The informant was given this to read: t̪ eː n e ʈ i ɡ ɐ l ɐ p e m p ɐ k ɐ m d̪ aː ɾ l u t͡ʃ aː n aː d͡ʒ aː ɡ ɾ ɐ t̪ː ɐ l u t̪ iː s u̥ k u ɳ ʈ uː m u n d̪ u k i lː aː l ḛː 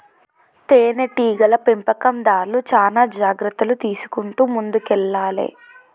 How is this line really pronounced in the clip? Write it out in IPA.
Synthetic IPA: t̪ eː n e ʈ iː ɡ ɐ l ɐ p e m p ɐ k ɐ m d̪ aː ɾ l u t͡ʃ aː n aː d͡ʒ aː ɡ ɾ ɐ t̪ː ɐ l u t̪ iː s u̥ k u ɳ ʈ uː m u n d̪ u k ɛ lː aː l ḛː